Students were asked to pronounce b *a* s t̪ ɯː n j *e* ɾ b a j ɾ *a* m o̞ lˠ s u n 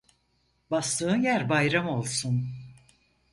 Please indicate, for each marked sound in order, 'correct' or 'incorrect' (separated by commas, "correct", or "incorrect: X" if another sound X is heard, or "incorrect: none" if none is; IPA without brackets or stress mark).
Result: correct, incorrect: æ, correct